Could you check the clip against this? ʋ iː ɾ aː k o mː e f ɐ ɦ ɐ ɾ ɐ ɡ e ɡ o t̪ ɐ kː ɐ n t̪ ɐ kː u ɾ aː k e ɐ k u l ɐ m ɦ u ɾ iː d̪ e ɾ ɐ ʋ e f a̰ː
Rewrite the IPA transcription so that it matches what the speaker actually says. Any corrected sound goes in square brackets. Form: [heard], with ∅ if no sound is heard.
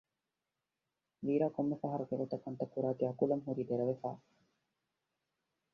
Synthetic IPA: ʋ iː ɾ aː k o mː e f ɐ ɦ ɐ ɾ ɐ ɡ e ɡ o t̪ ɐ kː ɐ n t̪ ɐ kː u ɾ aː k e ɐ k u l ɐ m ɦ u ɾ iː d̪ e ɾ ɐ ʋ e f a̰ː